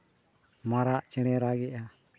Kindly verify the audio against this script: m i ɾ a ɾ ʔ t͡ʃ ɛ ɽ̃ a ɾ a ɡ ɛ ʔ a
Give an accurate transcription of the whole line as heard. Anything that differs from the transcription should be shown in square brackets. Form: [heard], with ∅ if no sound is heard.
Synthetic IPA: m [a] ɾ a [∅] ʔ t͡ʃ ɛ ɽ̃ [ɛ] ɾ a ɡ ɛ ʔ a